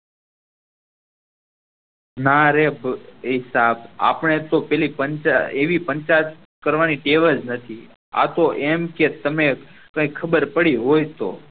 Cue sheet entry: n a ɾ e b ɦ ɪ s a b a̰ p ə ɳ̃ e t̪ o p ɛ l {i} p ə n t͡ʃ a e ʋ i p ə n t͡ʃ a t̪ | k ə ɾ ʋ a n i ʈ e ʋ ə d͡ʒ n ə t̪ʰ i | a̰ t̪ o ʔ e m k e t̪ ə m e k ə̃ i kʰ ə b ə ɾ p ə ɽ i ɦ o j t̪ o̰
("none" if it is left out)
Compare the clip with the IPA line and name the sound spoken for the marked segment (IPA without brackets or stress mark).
i